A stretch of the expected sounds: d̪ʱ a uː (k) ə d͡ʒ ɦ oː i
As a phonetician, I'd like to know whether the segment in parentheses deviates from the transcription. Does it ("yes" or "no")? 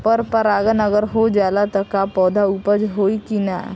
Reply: yes